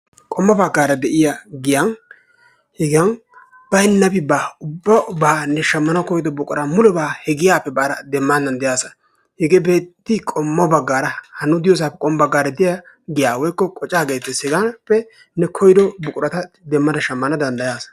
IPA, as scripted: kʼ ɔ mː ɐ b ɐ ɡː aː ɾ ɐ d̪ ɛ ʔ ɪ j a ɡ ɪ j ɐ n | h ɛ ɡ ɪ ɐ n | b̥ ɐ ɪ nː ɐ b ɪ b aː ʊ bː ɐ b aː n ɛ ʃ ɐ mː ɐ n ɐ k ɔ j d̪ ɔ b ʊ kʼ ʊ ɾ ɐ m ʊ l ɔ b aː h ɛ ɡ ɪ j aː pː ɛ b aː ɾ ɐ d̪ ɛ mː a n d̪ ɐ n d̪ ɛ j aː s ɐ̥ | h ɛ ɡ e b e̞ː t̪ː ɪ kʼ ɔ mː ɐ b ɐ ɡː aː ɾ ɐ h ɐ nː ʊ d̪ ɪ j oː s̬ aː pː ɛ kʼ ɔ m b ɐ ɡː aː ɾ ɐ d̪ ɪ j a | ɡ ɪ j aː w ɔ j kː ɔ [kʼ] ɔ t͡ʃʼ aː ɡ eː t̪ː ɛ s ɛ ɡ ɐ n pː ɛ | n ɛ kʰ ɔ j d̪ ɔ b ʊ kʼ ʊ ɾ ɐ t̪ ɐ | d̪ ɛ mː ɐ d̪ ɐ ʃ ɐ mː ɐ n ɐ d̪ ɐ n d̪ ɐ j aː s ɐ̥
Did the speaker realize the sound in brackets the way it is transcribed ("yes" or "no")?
yes